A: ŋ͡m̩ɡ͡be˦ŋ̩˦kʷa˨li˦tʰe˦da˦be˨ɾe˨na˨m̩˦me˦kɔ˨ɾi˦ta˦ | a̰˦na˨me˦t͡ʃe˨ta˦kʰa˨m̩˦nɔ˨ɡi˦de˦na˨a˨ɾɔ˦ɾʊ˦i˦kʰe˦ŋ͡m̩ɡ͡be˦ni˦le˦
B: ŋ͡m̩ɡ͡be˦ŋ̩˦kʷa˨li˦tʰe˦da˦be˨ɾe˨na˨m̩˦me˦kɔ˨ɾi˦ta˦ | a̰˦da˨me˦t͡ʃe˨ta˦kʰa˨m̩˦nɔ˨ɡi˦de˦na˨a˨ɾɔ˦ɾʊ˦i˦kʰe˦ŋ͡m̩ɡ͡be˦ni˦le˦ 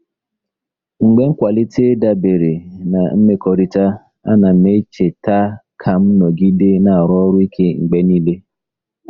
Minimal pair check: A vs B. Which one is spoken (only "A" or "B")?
A